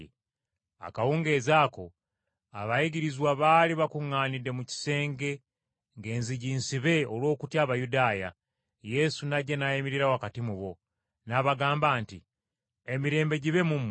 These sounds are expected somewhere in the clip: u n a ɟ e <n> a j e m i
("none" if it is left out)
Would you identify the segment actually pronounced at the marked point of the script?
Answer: n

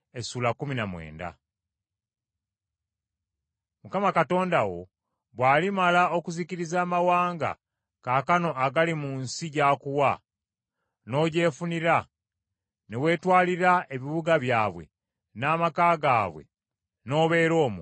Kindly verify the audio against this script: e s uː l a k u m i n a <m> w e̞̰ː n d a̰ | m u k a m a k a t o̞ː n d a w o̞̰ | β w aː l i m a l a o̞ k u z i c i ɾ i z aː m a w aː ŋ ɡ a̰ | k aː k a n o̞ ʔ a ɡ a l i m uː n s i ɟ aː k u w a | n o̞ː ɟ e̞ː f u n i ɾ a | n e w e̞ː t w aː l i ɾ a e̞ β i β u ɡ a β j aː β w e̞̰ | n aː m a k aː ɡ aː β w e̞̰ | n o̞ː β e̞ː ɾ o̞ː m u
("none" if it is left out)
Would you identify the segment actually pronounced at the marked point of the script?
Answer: m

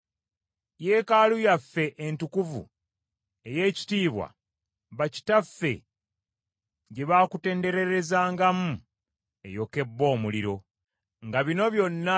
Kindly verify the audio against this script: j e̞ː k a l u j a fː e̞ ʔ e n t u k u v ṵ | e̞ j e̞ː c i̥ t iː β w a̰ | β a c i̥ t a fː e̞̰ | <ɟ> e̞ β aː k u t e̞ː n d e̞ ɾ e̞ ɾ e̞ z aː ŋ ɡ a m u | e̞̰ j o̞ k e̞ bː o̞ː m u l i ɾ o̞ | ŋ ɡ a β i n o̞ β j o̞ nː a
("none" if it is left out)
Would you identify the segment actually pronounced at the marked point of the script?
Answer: ɟ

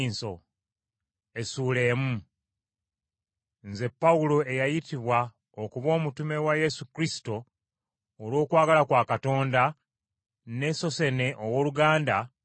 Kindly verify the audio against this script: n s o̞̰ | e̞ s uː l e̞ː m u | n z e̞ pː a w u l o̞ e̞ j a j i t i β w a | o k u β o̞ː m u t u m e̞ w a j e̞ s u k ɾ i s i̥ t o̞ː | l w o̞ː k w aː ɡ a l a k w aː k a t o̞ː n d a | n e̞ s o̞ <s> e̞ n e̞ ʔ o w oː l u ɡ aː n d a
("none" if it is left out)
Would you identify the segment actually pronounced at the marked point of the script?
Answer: s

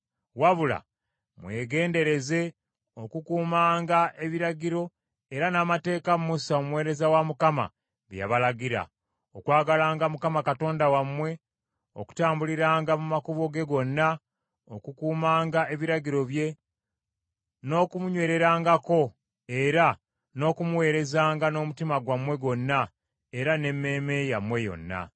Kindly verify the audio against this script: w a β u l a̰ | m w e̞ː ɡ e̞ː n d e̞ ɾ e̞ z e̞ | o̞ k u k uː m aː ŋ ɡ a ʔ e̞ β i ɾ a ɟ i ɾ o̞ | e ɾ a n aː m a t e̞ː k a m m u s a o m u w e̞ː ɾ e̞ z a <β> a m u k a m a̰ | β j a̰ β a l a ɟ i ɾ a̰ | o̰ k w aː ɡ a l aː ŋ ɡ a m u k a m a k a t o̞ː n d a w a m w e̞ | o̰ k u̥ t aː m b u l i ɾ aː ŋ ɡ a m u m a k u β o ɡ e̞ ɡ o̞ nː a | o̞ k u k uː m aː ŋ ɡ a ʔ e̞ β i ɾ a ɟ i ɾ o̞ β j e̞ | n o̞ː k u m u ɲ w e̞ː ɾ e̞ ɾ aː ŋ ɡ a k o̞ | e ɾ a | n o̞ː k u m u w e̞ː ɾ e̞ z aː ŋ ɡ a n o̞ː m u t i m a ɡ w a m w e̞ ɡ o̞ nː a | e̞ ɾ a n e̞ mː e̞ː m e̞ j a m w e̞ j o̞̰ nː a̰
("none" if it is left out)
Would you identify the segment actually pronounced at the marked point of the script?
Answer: w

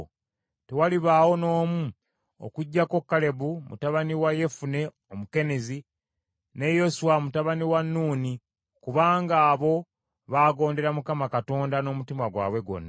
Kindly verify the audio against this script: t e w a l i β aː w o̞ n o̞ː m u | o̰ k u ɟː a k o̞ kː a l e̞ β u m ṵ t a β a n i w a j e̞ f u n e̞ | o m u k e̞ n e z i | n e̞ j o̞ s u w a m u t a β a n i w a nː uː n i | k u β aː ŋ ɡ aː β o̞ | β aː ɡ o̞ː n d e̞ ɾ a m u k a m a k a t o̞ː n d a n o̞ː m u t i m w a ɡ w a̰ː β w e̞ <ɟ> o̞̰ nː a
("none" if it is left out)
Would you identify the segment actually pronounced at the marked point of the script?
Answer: ɡ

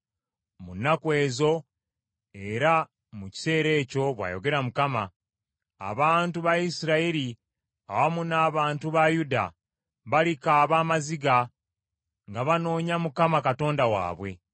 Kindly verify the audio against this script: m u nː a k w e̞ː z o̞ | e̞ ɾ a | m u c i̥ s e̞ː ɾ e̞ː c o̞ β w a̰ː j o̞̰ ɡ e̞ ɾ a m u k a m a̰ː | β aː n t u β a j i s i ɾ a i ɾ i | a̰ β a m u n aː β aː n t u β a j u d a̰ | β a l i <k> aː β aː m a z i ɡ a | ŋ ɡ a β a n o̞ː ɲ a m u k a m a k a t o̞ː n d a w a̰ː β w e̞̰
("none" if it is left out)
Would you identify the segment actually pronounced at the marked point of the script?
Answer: k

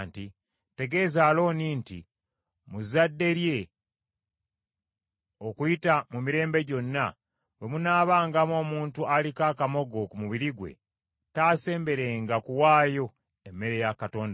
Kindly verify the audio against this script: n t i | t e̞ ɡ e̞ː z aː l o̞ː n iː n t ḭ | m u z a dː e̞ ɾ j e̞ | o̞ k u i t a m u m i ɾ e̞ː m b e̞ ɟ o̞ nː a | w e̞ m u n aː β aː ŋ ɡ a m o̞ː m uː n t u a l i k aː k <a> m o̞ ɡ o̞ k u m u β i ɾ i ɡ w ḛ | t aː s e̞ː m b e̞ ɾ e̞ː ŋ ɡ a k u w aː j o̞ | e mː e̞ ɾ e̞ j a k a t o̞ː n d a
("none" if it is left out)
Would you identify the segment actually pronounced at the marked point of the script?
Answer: a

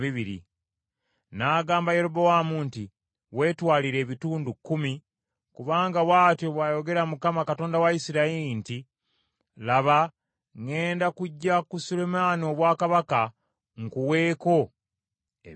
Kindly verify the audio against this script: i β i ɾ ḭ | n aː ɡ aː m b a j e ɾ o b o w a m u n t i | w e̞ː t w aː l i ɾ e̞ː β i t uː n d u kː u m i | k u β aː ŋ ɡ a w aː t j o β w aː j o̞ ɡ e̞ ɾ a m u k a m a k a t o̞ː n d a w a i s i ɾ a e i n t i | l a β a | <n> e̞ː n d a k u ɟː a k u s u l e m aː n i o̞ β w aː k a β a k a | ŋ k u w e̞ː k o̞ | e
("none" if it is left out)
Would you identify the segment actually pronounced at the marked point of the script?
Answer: ŋ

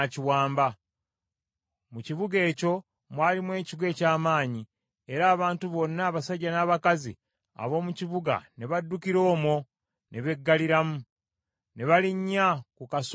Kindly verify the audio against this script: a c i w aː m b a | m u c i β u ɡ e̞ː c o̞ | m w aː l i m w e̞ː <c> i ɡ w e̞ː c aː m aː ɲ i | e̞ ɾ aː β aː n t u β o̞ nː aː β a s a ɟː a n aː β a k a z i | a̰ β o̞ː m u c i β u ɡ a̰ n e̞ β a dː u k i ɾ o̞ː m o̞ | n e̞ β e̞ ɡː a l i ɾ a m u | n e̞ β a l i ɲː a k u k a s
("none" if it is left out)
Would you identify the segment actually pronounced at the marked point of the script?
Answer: c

